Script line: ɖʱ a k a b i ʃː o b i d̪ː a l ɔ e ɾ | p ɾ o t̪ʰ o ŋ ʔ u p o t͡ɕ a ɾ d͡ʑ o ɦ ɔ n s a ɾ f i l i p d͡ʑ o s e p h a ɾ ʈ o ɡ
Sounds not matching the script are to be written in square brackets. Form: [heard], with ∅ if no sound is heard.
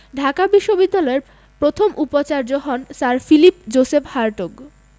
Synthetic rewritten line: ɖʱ a k a b i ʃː o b i d̪ː a l ɔ e ɾ | p ɾ o t̪ʰ o [m] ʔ u p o t͡ɕ a ɾ d͡ʑ o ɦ ɔ n s a ɾ f i l i p d͡ʑ o s e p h a ɾ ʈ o ɡ